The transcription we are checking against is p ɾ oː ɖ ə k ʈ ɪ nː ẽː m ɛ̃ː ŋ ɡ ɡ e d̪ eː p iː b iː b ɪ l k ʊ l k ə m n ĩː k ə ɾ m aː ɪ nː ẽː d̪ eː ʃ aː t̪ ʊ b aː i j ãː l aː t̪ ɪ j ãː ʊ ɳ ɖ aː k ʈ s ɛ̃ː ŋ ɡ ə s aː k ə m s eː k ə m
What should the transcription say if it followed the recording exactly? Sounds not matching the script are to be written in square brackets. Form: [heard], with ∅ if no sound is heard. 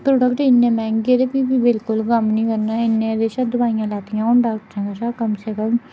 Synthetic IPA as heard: p ɾ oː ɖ ə k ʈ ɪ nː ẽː m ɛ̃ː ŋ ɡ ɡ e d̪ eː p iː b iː b ɪ l k ʊ l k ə m n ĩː k ə ɾ [n] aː ɪ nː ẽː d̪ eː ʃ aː [d̪] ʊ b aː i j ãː l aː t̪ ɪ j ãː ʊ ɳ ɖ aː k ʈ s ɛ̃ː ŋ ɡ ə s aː k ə m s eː k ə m